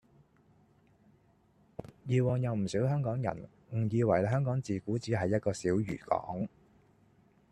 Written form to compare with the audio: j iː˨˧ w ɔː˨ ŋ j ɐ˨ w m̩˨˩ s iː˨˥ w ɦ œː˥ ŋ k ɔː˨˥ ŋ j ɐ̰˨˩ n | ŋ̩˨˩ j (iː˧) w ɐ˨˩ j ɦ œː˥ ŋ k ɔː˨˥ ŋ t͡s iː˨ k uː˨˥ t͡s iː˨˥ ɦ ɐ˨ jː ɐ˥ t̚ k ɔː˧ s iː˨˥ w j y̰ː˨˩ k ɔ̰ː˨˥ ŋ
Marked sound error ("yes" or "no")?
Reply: no